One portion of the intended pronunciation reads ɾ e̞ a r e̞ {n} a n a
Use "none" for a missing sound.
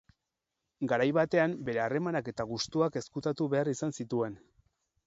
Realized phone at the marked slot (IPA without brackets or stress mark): m